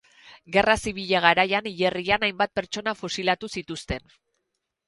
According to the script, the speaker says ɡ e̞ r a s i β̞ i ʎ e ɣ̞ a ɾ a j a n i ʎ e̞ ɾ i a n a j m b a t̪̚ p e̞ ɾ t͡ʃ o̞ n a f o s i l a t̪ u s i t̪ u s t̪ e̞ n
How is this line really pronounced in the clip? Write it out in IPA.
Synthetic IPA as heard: ɡ e̞ r a s i β̞ i ʎ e ɣ̞ a ɾ a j a n i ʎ e̞ r i a n a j m b a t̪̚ p e̞ ɾ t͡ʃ o̞ n a f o s i l a t̪ u s i t̪ u s t̪ e̞ n